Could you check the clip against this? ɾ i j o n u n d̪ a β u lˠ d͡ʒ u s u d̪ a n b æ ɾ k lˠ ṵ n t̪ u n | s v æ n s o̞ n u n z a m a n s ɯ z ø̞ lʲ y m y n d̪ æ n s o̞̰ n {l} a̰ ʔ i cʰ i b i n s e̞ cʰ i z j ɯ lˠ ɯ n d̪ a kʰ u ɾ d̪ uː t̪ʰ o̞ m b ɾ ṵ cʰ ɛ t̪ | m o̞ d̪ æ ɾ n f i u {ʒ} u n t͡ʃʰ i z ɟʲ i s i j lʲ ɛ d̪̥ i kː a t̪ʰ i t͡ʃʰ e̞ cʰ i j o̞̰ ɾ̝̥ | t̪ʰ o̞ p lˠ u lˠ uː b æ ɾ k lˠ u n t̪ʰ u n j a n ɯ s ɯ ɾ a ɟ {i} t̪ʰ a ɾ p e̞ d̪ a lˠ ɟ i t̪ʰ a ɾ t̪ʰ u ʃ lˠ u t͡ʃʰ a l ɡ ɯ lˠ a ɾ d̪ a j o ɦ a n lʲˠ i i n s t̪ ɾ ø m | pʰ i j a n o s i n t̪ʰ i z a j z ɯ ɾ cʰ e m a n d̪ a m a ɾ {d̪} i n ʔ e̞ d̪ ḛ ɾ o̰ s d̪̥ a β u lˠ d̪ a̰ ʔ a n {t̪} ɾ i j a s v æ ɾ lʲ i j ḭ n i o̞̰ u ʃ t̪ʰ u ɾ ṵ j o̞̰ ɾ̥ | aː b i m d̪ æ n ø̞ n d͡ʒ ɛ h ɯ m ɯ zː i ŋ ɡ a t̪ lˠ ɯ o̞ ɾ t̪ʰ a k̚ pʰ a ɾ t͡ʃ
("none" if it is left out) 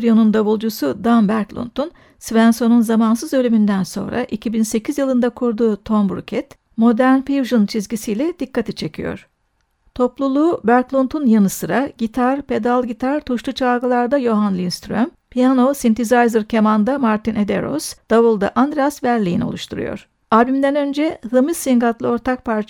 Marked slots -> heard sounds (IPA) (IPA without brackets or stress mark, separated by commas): ɾ, ʒ, i, t̪, d̪